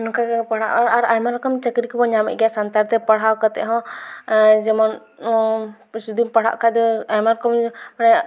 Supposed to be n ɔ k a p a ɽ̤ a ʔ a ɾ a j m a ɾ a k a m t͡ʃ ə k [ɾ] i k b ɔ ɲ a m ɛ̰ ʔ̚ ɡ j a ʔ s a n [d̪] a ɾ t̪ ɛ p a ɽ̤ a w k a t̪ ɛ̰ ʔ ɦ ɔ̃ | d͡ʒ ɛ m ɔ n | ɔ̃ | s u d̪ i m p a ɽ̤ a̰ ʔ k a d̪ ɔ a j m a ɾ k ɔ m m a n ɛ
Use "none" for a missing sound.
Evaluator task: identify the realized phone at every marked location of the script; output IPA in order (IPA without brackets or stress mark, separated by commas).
ɾ, t̪